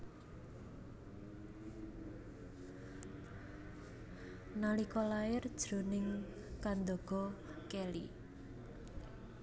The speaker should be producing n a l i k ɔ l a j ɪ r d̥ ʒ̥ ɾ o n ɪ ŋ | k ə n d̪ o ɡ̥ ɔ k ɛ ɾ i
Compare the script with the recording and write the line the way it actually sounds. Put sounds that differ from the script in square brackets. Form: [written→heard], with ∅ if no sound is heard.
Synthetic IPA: n a l i k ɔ l a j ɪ r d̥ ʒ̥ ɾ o n ɪ ŋ | k [ə→a] n d̪ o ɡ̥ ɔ k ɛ [ɾ→l] i